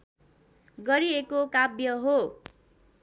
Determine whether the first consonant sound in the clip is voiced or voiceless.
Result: voiced